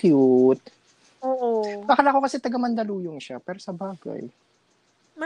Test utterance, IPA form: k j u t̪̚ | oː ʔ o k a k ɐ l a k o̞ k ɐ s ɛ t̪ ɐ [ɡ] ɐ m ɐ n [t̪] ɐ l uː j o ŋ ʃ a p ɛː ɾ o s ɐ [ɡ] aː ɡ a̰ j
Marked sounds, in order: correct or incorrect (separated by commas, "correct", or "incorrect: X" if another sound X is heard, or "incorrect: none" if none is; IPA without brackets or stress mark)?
correct, incorrect: d̪, incorrect: b